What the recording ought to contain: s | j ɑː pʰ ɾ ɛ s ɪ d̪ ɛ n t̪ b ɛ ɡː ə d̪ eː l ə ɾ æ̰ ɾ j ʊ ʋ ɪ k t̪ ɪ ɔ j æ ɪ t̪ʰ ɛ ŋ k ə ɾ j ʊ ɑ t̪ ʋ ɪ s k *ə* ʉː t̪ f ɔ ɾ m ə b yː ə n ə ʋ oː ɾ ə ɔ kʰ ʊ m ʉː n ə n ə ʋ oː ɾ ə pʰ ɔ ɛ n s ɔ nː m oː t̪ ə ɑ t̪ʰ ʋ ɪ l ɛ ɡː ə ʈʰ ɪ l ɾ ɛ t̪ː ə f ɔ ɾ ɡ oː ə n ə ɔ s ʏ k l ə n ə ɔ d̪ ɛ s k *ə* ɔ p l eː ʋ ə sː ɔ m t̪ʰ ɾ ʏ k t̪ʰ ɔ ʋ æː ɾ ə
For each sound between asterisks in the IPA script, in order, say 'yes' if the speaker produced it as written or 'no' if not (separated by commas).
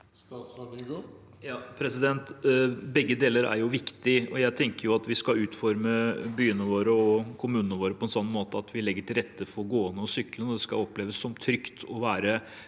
no, no